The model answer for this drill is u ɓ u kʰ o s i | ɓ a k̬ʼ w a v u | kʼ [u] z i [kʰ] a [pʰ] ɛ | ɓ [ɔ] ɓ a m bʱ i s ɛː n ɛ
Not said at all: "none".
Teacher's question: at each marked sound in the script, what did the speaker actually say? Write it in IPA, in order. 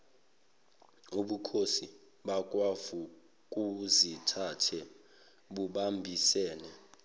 u, tʰ, tʰ, u

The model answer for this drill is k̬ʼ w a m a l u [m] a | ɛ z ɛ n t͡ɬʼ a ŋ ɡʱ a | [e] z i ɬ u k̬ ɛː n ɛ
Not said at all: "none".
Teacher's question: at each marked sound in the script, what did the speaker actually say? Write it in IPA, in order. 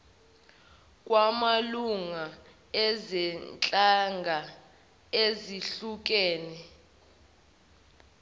ŋ, e

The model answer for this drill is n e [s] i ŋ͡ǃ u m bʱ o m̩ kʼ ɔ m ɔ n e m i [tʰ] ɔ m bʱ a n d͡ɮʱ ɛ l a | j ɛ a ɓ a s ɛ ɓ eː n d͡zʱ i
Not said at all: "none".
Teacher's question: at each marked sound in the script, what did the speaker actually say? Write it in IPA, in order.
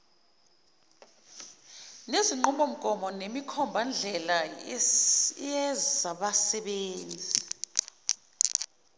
z, kʰ

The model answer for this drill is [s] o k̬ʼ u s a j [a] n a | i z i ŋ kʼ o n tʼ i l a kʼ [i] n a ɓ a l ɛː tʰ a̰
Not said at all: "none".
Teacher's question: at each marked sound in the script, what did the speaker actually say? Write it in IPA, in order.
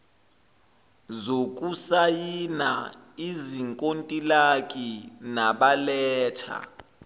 z, i, i

